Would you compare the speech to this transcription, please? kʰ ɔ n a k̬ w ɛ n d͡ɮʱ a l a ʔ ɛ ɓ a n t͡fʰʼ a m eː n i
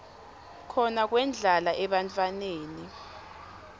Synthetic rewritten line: kʰ ɔ n a k̬ w ɛ n d͡ɮʱ a l a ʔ ɛ ɓ a n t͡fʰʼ a n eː n i